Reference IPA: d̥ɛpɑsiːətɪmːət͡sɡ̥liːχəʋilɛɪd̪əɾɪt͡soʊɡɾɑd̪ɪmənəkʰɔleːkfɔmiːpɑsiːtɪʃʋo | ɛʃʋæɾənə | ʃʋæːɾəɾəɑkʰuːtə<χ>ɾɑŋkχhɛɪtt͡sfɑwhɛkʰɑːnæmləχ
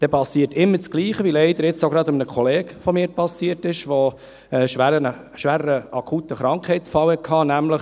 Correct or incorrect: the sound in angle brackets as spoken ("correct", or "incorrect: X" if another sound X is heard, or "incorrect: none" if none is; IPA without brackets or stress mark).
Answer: correct